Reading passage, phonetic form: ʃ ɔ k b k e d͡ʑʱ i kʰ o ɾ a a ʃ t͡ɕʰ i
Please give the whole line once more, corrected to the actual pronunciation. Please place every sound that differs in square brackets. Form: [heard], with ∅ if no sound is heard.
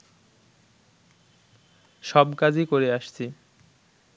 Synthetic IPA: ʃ ɔ [∅] b k [a] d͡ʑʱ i [k] o ɾ [e] a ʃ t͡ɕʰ i